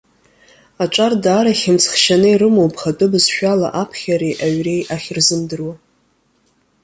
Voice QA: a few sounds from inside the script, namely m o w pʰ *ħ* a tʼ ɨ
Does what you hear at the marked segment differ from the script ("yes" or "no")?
yes